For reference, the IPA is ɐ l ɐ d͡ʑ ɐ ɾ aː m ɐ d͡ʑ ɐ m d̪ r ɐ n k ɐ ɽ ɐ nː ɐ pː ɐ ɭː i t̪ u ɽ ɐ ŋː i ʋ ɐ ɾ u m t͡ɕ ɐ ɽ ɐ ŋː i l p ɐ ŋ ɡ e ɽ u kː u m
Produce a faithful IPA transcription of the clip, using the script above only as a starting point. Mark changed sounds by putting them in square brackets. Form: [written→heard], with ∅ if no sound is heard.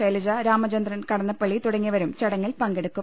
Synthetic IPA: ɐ l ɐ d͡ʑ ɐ ɾ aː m ɐ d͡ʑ ɐ [m→n] d̪ r ɐ n k ɐ ɽ ɐ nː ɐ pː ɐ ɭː i t̪ u ɽ ɐ ŋː i ʋ ɐ ɾ u m t͡ɕ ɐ ɽ ɐ ŋː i l p ɐ ŋ ɡ e ɽ u kː u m